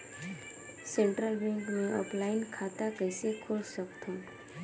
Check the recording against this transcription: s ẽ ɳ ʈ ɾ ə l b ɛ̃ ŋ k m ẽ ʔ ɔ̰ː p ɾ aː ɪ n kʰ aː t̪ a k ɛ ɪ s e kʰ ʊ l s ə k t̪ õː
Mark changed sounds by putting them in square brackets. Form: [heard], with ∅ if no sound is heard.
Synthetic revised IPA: s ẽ ɳ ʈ ɾ ə l b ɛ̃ ŋ k m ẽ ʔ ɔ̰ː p [l] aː ɪ n kʰ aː t̪ a k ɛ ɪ s e kʰ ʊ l s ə k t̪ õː